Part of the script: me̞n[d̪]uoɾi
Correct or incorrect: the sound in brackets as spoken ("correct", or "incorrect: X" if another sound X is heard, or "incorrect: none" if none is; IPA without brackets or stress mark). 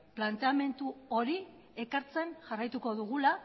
incorrect: t̪